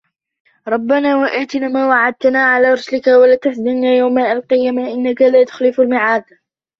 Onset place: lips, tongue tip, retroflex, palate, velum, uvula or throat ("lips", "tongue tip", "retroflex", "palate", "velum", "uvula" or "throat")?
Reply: tongue tip